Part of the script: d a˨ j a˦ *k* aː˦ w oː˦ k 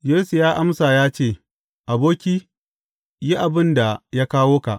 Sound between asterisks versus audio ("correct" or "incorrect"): correct